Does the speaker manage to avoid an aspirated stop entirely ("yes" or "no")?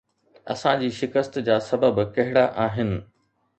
yes